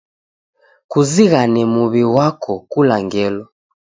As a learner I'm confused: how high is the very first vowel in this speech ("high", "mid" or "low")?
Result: high